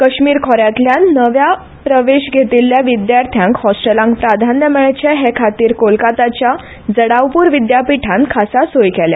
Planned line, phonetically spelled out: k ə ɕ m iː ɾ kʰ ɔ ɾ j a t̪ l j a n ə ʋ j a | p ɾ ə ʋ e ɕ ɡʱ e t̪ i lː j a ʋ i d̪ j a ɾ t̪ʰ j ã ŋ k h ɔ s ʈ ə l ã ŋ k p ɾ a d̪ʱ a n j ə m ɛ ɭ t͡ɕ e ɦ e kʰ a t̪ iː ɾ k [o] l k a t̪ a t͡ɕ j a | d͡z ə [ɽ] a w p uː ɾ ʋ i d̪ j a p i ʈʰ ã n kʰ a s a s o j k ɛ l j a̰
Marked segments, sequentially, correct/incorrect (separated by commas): correct, correct